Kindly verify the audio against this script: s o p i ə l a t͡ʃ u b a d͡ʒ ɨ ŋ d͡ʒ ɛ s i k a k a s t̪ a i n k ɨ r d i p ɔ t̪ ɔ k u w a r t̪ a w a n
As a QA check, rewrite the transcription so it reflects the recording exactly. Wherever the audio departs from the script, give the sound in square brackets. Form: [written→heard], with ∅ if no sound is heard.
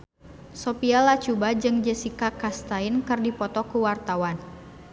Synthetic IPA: s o p i [ə→a] l a t͡ʃ u b a d͡ʒ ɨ ŋ d͡ʒ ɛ s i k a k a s t̪ a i n k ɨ r d i p ɔ t̪ ɔ k u w a r t̪ a w a n